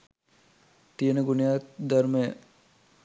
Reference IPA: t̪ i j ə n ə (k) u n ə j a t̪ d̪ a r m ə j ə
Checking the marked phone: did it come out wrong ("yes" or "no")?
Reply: yes